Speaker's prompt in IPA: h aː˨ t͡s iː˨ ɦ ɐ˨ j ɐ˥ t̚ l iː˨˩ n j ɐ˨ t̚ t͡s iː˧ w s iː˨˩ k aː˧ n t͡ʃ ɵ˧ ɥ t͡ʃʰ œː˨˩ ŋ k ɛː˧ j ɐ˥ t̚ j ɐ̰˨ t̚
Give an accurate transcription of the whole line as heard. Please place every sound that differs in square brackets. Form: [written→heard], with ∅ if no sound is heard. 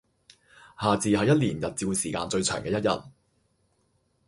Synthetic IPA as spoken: h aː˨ t͡s iː˨ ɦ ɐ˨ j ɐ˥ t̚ l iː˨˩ n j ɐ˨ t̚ t͡s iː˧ w s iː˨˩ k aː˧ n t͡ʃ ɵ˧ ɥ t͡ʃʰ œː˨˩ ŋ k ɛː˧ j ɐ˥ t̚ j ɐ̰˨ t̚

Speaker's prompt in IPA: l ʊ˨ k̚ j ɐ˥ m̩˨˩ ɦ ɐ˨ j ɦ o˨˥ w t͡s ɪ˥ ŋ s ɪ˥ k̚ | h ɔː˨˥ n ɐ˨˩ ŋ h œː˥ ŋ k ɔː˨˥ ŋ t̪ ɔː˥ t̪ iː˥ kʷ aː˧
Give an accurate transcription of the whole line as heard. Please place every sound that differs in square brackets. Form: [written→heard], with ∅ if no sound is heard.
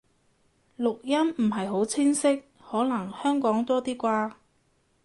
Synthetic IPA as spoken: l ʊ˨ k̚ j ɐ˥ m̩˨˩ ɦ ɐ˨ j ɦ o˨˥ w [t͡s→t͡sʰ] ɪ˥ ŋ s ɪ˥ k̚ | h ɔː˨˥ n ɐ˨˩ ŋ h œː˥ ŋ k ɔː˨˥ ŋ t̪ ɔː˥ t̪ iː˥ kʷ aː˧

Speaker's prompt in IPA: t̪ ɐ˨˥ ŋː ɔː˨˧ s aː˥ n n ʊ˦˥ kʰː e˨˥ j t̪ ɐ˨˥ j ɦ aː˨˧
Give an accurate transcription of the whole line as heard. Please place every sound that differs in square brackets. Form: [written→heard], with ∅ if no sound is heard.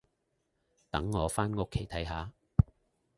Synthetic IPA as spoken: t̪ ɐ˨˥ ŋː ɔː˨˧ [s→f] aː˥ n [n→ŋ] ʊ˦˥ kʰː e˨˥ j [t̪→t̪ʰ] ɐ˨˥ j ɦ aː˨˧

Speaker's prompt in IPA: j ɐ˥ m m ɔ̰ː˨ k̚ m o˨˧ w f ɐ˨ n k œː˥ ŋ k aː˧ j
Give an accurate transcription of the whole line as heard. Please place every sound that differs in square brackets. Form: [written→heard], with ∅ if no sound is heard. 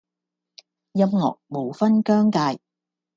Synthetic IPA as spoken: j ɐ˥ m [m→ŋ] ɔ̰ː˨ k̚ m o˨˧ w f [ɐ˨→ɐ˥] n k œː˥ ŋ k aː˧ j

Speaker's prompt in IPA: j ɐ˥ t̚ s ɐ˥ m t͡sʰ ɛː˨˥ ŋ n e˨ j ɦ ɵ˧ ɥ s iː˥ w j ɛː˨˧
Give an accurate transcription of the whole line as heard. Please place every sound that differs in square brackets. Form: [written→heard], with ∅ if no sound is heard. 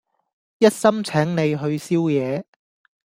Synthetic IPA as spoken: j ɐ˥ t̚ s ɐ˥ m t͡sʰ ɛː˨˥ ŋ n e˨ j ɦ ɵ˧ ɥ s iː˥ w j ɛː˨˧

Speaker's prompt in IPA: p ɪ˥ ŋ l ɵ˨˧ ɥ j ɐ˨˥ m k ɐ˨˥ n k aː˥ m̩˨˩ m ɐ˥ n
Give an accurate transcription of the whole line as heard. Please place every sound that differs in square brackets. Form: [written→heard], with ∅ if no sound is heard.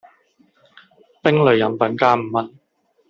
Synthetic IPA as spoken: p ɪ˥ ŋ l ɵ˨˧ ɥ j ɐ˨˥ m [k→p] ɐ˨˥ n k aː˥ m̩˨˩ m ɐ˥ n

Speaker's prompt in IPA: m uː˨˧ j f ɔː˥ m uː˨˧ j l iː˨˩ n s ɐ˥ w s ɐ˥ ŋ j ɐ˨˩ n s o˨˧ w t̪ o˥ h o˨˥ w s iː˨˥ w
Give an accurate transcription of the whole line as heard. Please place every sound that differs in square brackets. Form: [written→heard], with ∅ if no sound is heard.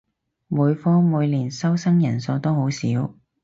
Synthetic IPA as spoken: m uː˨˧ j f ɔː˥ m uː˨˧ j l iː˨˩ n s ɐ˥ w s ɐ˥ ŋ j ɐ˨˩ n s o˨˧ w t̪ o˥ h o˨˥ w s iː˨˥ w

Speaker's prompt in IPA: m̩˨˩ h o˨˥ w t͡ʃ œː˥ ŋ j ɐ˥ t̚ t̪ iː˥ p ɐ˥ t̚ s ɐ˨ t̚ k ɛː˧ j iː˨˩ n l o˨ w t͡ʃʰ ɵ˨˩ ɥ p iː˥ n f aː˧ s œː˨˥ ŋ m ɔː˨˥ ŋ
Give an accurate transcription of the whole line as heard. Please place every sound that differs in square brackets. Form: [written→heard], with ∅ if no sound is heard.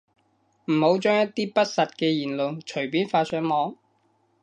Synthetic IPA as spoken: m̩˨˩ h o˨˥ w t͡ʃ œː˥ ŋ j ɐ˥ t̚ t̪ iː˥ p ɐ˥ t̚ s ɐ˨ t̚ k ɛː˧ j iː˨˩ n l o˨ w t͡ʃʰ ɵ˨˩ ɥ p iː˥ n f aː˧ s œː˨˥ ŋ m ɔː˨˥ ŋ

